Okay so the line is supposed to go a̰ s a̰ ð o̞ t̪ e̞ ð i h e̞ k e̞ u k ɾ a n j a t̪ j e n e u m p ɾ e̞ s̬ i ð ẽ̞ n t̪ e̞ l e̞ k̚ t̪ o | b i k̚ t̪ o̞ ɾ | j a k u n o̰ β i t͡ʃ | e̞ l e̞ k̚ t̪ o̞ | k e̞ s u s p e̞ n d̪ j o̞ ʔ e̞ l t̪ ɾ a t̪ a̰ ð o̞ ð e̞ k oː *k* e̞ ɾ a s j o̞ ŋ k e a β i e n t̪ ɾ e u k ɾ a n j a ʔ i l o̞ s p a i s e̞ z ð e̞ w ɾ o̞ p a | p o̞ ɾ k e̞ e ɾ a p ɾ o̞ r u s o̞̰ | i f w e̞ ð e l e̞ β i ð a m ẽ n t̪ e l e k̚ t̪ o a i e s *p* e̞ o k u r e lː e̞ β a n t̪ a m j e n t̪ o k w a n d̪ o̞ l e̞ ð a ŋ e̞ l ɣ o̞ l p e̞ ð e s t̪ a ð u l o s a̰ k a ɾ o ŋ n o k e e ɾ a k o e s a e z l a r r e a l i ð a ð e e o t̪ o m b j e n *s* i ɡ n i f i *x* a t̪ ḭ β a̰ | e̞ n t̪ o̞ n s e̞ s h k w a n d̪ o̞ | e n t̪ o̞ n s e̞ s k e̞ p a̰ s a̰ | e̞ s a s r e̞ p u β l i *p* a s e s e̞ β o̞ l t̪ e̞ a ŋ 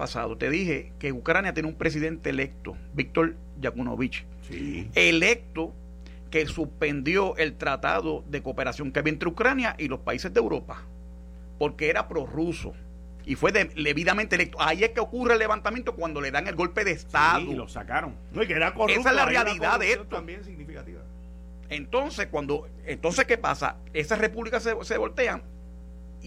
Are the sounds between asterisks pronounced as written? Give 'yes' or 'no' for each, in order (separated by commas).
no, no, yes, no, no